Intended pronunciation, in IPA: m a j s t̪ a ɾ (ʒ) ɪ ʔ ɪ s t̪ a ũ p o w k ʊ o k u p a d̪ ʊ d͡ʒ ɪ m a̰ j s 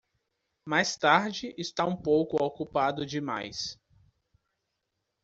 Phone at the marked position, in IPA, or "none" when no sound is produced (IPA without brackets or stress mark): d͡ʒ